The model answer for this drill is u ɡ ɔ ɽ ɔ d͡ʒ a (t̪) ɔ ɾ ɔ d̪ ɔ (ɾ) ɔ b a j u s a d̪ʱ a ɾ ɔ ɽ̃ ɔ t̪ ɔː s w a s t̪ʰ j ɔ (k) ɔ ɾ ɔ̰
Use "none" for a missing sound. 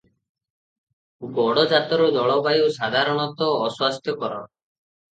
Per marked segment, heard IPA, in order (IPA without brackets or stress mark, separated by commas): t̪, ɭ, k